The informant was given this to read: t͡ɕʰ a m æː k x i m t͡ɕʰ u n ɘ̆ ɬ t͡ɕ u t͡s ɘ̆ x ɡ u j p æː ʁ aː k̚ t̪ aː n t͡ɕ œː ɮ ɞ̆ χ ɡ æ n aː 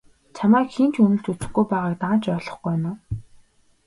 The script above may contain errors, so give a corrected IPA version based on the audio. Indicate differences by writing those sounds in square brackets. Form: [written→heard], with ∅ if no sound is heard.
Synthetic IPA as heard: t͡ɕʰ a m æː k x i [m→n] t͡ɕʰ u n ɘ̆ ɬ t͡ɕ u t͡s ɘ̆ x ɡ u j p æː ʁ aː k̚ t̪ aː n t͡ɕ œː ɮ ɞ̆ χ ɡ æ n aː